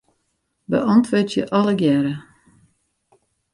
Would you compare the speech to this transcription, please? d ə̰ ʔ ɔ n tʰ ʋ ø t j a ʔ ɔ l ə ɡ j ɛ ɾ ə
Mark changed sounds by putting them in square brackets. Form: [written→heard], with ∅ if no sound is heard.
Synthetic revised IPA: [d→b] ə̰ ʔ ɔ n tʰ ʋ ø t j [a→ə] ʔ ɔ l ə ɡ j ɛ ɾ ə